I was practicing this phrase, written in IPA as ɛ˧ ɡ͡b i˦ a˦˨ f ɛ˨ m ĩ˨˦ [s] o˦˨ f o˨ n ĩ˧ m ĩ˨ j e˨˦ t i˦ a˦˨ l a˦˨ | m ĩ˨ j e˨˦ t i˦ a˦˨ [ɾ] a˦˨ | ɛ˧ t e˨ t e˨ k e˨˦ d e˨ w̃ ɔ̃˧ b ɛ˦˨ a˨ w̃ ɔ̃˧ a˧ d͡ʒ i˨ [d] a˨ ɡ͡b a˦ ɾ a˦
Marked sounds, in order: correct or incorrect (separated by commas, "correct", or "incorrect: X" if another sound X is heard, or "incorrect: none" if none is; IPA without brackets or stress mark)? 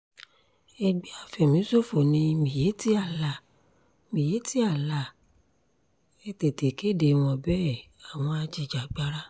correct, incorrect: l, incorrect: d͡ʒ